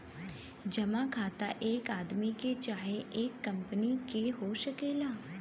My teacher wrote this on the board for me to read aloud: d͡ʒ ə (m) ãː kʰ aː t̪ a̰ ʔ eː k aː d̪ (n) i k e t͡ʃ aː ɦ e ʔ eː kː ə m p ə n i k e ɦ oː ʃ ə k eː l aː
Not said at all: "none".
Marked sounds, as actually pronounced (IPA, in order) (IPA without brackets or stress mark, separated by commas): m, m